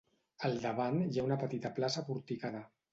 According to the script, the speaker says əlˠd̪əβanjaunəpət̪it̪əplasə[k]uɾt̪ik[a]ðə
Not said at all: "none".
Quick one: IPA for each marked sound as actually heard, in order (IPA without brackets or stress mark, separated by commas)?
p, a